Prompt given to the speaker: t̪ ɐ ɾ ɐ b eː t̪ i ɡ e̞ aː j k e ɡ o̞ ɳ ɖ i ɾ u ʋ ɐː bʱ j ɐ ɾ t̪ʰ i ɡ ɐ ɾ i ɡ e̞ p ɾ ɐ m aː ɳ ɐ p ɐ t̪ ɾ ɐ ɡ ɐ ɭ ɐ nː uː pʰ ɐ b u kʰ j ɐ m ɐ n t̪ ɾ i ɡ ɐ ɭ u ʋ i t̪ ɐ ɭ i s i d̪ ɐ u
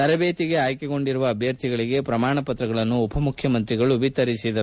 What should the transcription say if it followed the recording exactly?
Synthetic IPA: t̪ ɐ ɾ ɐ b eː t̪ i ɡ e̞ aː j k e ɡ o̞ ɳ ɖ i ɾ u ʋ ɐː bʱ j ɐ ɾ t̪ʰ i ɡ ɐ ɭ i ɡ e̞ p ɾ ɐ m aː ɳ ɐ p ɐ t̪ ɾ ɐ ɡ ɐ ɭ ɐ nː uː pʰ ɐ m u kʰ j ɐ m ɐ n t̪ ɾ i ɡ ɐ ɭ u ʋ i t̪ ɐ ɾ i s i d̪ ɐ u

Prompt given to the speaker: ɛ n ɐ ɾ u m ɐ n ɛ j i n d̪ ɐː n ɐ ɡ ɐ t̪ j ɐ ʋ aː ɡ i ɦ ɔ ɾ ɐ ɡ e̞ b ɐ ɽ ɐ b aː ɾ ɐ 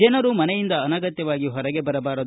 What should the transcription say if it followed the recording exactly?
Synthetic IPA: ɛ n ɐ ɾ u m ɐ n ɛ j i n d̪ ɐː n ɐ ɡ ɐ t̪ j ɐ ʋ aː ɡ i ɦ ɔ ɾ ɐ ɡ e̞ b ɐ ɾ ɐ b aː ɾ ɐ

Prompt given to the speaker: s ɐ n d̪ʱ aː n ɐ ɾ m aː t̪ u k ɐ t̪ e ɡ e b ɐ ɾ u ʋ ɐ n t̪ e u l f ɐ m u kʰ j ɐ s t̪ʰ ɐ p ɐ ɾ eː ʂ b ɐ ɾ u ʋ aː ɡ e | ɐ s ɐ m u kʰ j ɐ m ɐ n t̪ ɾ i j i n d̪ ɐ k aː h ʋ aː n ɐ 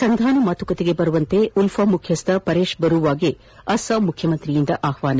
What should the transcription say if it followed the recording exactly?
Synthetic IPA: s ɐ n d̪ʱ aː n ɐ m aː t̪ u k ɐ t̪ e ɡ e b ɐ ɾ u ʋ ɐ n t̪ e u l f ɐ m u kʰ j ɐ s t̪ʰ ɐ p ɐ ɾ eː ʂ b ɐ ɾ u ʋ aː ɡ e | ɐ s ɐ m u kʰ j ɐ m ɐ n t̪ ɾ i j i n d̪ ɐ ʔ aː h ʋ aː n ɐ

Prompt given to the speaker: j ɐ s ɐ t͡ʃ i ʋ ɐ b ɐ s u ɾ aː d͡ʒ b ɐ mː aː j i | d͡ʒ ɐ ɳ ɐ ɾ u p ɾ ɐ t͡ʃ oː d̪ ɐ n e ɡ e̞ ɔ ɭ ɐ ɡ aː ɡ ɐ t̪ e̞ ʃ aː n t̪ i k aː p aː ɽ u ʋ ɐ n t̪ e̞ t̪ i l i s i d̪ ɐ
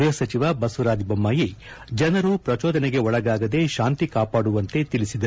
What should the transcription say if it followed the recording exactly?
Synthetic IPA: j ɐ s ɐ t͡ʃ i ʋ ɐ b ɐ s u ɾ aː d͡ʒ b ɐ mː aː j i | d͡ʒ ɐ n ɐ ɾ u p ɾ ɐ t͡ʃ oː d̪ ɐ n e ɡ e̞ ɔ ɭ ɐ ɡ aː ɡ ɐ d̪ e̞ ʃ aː n t̪ i k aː p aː ɽ u ʋ ɐ n t̪ e̞ t̪ i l i s i d̪ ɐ

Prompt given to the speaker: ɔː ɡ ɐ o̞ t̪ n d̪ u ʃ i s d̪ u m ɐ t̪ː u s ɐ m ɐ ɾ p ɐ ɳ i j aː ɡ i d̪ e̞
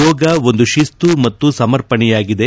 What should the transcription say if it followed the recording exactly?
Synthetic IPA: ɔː ɡ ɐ o̞ n d̪ u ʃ i s t̪ u m ɐ t̪ː u s ɐ m ɐ ɾ p ɐ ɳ ɛ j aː ɡ i d̪ e̞

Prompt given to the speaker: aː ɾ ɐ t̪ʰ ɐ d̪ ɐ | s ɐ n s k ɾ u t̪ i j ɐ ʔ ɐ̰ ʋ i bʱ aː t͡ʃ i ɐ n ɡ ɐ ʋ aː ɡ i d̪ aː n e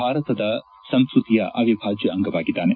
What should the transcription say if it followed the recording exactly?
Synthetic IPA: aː ɾ ɐ t̪ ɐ d̪ ɐ | s ɐ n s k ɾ u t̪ i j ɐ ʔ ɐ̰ ʋ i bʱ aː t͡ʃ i ɐ ŋ ɡ ɐ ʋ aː ɡ i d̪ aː n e

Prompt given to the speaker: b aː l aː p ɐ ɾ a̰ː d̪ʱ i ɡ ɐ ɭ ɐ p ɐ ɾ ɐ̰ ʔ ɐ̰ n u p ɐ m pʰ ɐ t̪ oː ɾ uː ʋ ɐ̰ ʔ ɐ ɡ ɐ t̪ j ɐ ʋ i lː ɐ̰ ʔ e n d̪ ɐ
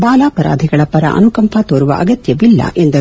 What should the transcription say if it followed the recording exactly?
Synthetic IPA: b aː l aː p ɐ ɾ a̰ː d̪ʱ i ɡ ɐ ɭ ɐ p ɐ ɾ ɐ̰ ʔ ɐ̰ n u k ɐ m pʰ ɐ t̪ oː ɾ u ʋ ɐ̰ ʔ ɐ ɡ ɐ t̪ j ɐ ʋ i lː ɐ̰ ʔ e n d̪ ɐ

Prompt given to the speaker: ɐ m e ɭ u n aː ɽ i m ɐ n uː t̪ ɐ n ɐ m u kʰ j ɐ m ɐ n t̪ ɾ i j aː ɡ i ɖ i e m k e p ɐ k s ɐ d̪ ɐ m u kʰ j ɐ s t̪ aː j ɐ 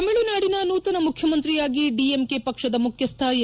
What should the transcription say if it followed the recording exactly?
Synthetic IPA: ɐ m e ɭ u n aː ɽ i n ɐ n uː t̪ ɐ n ɐ m u kʰ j ɐ m ɐ n t̪ ɾ i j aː ɡ i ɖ i e m k e p ɐ k ʂ ɐ d̪ ɐ m u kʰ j ɐ s t̪ʰ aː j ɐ

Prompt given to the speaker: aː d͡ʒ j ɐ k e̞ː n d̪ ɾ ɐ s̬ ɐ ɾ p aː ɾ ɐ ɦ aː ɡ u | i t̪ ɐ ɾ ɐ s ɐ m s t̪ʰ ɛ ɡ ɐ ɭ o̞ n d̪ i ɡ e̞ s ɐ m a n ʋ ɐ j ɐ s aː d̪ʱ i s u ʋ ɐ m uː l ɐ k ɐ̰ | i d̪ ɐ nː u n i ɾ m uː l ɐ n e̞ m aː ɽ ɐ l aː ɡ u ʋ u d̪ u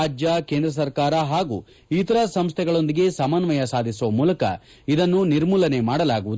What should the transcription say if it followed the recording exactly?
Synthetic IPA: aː d͡ʒ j ɐ k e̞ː n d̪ ɾ ɐ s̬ ɐ ɾ k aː ɾ ɐ ɦ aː ɡ u | i t̪ ɐ ɾ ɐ s ɐ m s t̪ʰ ɛ ɡ ɐ ɭ o̞ n d̪ i ɡ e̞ s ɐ m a n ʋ ɐ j ɐ s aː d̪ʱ i s u ʋ ɐ m uː l ɐ k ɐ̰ | i d̪ ɐ nː u n i ɾ m uː l ɐ n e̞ m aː ɽ ɐ l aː ɡ u ʋ u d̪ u

